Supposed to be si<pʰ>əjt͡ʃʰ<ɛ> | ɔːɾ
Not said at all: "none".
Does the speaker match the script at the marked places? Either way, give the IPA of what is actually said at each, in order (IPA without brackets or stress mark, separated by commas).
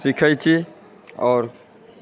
kʰ, i